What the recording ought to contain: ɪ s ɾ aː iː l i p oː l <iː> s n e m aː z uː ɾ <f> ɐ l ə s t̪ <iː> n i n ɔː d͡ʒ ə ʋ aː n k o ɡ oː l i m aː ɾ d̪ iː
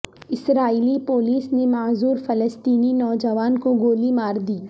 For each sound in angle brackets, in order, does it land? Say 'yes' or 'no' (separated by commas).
yes, yes, yes